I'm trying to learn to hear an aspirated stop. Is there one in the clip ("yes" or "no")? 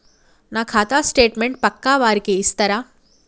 yes